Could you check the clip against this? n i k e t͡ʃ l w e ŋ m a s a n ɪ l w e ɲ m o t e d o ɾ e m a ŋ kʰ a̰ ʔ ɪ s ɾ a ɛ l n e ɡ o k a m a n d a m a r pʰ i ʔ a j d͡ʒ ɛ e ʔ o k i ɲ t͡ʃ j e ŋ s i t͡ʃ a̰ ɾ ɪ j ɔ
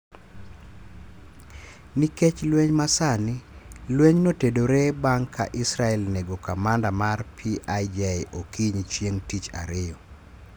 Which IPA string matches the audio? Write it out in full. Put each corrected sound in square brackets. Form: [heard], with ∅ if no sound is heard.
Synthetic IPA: n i k e t͡ʃ l w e [ɲ] m a s a n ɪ l w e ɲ [n] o t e d o ɾ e [b] a ŋ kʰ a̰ ʔ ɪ s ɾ a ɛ l n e ɡ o k a m a n d a m a r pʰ i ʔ a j d͡ʒ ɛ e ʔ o k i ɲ t͡ʃ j e ŋ [t] i t͡ʃ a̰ ɾ ɪ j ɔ